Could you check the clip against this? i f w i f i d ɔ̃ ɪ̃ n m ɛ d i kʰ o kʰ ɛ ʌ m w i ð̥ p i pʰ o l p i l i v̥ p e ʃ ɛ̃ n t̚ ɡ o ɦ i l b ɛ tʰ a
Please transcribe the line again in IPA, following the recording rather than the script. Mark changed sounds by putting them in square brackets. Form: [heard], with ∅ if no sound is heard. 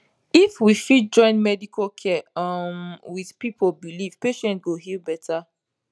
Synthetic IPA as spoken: i f w i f i [d͡ʒ] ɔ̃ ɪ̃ n m ɛ d i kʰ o kʰ ɛ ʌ m w i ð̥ p i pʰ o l [b] i l i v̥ p e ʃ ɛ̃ n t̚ ɡ o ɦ i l b ɛ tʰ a